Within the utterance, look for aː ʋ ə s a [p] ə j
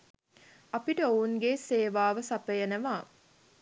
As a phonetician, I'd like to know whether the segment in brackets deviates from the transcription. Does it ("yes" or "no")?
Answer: no